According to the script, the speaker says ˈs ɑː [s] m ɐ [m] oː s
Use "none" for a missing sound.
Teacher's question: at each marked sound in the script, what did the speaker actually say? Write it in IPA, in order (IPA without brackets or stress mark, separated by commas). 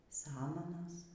none, n